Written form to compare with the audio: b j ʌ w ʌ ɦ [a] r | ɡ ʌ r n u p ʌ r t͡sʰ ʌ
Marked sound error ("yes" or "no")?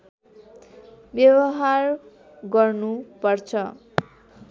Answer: no